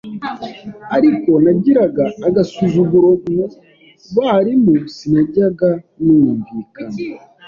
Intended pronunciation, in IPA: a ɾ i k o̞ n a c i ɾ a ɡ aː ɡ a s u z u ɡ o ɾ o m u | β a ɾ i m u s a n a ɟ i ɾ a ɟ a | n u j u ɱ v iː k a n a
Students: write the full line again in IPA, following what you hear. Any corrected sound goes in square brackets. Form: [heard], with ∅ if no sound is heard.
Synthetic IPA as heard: a ɾ i k o̞ n a [ɟ] i ɾ a ɡ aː ɡ a s u z u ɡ [u] ɾ o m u | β a ɾ i m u s [i] n a ɟ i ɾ a [ɡ] a | n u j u ɱ v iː k a n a